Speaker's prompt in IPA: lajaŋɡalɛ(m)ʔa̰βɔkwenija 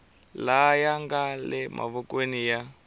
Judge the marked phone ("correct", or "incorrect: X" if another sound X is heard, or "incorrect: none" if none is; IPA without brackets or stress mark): correct